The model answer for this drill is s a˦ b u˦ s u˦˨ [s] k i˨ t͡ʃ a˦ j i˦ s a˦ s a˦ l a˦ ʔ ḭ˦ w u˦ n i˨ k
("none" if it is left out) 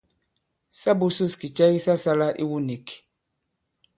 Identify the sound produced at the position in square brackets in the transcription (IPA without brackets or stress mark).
s